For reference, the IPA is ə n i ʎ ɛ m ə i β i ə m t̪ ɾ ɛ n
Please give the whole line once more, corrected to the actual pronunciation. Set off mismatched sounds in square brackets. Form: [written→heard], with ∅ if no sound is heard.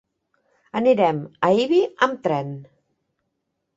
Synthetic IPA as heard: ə n i [ʎ→ɾ] ɛ m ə i β i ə m t̪ ɾ ɛ n